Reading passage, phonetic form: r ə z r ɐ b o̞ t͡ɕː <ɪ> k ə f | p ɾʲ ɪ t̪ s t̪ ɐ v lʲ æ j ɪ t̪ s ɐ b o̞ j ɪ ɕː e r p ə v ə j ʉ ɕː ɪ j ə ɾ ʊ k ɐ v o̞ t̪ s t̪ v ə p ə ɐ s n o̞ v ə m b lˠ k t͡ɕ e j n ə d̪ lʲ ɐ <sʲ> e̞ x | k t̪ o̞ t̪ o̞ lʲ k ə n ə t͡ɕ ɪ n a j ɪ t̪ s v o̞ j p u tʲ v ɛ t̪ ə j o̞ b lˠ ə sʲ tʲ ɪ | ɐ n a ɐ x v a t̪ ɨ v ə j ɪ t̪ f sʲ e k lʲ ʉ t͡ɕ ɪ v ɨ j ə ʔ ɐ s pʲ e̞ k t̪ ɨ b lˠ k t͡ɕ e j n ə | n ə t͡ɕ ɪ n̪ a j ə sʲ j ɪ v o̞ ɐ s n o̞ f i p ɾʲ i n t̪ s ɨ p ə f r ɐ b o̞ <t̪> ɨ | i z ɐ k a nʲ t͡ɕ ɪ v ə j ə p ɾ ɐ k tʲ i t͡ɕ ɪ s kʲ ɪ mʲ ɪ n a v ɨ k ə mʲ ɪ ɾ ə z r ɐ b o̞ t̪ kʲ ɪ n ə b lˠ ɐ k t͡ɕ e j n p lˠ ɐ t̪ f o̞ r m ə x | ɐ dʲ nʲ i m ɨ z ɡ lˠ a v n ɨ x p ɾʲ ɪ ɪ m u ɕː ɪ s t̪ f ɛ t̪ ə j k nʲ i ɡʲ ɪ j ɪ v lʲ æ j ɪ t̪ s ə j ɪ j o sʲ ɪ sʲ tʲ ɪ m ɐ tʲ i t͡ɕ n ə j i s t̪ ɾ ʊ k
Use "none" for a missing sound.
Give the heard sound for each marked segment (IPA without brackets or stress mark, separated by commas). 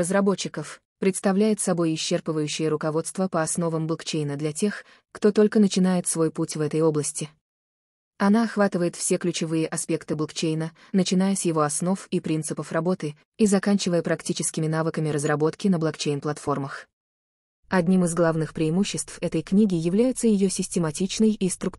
ɪ, tʲ, t̪